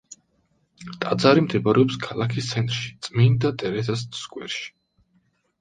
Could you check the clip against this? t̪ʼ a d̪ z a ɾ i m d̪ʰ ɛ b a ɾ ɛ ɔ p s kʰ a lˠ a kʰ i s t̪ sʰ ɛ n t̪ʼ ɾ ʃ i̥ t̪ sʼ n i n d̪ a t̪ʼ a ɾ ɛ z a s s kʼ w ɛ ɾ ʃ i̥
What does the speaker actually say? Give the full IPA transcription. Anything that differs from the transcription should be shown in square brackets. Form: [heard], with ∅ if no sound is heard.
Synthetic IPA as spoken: t̪ʼ a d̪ z a ɾ i m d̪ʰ ɛ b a ɾ ɛ ɔ p s kʰ a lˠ a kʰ i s t̪ sʰ ɛ n t̪ʼ ɾ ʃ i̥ t̪ sʼ [m] i n d̪ a t̪ʼ [ɛ] ɾ ɛ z a s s kʼ w ɛ ɾ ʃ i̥